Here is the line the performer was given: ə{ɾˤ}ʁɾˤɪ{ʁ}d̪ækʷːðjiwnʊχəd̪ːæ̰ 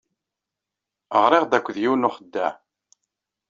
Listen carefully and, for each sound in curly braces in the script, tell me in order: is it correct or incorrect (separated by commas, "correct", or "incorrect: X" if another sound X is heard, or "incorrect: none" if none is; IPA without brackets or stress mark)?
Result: incorrect: none, correct